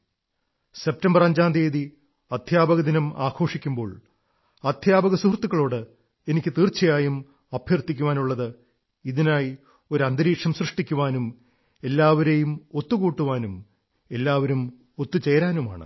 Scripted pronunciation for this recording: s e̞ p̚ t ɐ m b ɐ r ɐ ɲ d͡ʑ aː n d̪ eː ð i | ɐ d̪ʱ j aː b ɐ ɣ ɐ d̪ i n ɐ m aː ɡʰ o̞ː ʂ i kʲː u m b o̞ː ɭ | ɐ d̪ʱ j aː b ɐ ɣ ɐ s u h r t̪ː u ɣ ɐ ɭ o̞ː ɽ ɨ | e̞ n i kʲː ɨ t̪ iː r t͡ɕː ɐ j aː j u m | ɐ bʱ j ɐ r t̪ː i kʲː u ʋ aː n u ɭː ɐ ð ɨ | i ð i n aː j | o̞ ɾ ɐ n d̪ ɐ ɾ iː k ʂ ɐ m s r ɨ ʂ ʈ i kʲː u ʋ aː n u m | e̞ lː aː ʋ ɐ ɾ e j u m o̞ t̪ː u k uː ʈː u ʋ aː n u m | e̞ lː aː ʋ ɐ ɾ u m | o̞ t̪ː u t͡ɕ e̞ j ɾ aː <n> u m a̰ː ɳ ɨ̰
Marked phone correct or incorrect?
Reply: correct